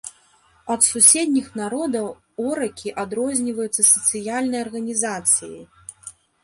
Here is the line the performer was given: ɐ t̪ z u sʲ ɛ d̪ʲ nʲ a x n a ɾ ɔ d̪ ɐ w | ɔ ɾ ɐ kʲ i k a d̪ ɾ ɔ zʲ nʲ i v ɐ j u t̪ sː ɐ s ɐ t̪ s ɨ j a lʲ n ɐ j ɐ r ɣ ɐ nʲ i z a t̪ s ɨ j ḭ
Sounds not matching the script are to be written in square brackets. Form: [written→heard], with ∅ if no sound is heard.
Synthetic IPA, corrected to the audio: ɐ t̪ [z→s] u sʲ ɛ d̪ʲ nʲ [a→i] x n a ɾ ɔ d̪ ɐ w | ɔ ɾ ɐ kʲ i [k→ʔ] a d̪ ɾ ɔ zʲ nʲ i v ɐ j u t̪ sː ɐ s ɐ t̪ s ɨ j a lʲ n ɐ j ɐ r ɣ ɐ nʲ i z a t̪ s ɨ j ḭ